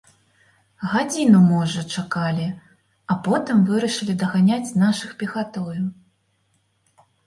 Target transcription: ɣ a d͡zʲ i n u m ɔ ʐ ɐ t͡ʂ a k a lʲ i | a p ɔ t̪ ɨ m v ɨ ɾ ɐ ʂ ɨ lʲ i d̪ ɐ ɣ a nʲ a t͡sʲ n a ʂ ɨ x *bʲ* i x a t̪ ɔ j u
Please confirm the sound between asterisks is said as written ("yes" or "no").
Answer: no